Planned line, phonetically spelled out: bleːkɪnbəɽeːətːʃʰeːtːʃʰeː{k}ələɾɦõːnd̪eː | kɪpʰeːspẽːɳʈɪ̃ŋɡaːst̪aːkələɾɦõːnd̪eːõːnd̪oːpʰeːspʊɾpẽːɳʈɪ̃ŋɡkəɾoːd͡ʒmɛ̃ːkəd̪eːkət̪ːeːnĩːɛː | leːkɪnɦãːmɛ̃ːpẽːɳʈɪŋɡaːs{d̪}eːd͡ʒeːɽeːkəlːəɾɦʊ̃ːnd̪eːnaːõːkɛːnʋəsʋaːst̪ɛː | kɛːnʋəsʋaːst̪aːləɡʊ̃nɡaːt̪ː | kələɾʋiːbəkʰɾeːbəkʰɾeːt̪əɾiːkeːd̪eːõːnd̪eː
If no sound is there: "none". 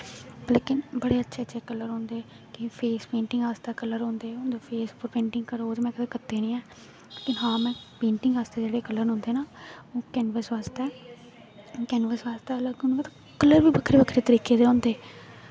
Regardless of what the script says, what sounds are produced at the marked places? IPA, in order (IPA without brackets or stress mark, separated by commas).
k, t̪